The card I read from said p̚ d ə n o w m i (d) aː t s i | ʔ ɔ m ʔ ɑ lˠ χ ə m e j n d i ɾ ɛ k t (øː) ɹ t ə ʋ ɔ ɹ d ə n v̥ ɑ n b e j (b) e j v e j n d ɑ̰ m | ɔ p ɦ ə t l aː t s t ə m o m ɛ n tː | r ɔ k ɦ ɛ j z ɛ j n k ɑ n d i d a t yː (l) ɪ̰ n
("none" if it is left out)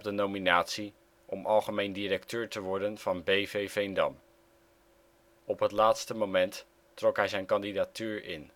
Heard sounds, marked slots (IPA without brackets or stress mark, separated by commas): n, øː, v, ɹ